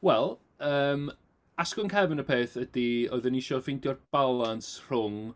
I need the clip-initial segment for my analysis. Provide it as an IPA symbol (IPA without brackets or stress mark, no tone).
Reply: w